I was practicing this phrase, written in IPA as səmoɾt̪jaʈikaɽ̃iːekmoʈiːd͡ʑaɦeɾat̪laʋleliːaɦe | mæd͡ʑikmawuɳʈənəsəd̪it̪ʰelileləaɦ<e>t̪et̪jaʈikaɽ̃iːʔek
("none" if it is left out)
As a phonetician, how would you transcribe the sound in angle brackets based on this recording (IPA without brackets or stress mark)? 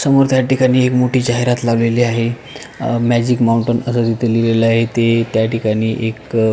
e